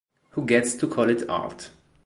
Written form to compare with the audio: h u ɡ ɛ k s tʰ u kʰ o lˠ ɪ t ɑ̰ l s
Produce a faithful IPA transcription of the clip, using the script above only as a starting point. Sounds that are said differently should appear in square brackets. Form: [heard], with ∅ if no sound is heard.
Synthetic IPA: h u ɡ ɛ [t] s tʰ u kʰ [ɔ] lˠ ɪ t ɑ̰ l [t]